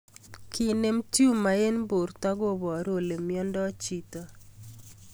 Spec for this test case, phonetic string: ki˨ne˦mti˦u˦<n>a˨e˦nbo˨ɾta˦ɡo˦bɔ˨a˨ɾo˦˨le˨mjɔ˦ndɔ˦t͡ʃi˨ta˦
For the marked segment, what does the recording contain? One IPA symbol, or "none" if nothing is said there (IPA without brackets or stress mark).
m